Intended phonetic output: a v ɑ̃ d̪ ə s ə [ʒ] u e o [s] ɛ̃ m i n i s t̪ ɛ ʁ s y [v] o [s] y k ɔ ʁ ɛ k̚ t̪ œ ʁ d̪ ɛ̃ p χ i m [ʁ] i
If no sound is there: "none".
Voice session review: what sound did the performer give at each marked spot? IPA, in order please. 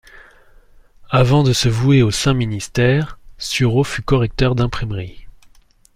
v, s, ʁ, f, ʁ

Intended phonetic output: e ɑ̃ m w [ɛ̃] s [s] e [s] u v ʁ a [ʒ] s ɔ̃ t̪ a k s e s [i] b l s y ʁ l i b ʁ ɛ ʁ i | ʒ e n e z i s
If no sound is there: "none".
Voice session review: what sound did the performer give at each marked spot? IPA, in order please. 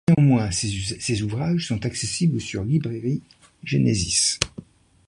ɛ̃, s, z, ʒ, i

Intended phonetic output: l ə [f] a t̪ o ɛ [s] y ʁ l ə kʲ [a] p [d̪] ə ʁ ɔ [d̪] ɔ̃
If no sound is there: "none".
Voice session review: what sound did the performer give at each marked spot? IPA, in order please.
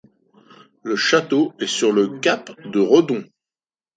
ʃ, s, a, d̪, d̪

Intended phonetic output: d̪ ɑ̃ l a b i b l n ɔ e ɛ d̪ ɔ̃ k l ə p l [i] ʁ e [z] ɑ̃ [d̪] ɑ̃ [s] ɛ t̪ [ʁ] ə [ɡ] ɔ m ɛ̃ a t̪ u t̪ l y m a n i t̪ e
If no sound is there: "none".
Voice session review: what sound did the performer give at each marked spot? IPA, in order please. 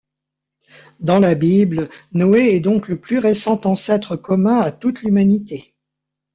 y, s, t̪, s, χ, k

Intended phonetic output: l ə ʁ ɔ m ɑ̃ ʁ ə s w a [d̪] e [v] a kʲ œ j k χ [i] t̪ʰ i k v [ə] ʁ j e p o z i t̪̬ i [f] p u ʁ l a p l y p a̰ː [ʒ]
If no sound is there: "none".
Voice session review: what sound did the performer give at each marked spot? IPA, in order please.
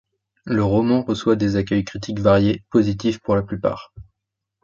d̪, z, i, a, f, ʁ

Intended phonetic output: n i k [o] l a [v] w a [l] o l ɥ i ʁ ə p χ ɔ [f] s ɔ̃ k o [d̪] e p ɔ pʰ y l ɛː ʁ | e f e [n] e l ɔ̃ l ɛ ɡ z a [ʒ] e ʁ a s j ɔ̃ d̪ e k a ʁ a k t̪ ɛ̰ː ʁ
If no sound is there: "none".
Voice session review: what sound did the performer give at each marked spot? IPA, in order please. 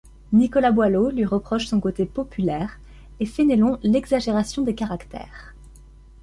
ɔ, b, l, ʃ, t̪, n, ʒ

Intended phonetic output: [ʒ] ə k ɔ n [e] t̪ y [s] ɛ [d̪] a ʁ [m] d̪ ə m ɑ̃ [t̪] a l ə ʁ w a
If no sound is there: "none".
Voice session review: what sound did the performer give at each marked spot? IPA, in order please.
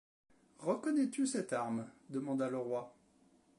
ʁ, ɛ, s, t̪, m, d̪

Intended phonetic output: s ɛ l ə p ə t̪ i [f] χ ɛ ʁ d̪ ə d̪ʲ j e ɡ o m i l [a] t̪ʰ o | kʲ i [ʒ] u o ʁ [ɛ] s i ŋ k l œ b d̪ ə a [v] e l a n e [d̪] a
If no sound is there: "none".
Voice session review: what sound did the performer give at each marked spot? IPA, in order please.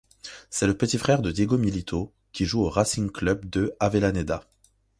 f, i, ʒ, a, v, d̪

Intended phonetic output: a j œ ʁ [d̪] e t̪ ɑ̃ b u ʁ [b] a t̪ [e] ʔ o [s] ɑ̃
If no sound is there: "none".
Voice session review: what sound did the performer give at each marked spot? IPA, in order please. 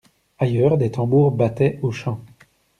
d̪, b, ɛ, ʃ

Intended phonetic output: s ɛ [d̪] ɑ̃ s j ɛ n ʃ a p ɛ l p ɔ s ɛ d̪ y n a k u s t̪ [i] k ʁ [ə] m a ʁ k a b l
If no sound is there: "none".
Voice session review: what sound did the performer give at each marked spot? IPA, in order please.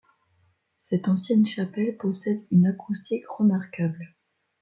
t̪, i, ə

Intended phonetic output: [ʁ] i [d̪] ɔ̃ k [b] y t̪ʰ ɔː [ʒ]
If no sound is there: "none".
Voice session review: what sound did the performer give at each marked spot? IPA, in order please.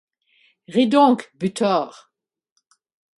ʁ, d̪, b, ʁ

